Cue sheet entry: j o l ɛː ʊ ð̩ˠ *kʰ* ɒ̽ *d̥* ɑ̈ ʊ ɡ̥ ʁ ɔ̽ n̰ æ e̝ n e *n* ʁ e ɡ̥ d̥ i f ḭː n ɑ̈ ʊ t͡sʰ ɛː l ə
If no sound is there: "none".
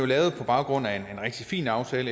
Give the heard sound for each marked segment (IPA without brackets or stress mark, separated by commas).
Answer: pʰ, b̥, n